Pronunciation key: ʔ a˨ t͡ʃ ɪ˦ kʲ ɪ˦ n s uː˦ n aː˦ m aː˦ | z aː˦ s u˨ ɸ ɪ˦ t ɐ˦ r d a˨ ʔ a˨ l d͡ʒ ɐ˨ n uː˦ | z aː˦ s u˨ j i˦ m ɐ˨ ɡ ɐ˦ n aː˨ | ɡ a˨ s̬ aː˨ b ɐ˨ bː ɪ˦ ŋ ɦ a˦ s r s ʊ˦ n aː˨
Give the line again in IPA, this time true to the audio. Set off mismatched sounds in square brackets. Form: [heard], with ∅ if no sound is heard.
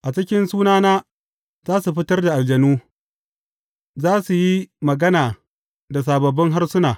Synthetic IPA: ʔ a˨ t͡ʃ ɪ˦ kʲ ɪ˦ n s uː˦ n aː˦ [n] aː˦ | z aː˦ s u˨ ɸ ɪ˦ t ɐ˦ r d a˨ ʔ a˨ l d͡ʒ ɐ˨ n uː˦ | z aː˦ s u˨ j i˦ m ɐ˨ ɡ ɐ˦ n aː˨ | [d] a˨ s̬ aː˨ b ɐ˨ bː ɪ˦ ŋ ɦ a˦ [∅] r s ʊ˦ n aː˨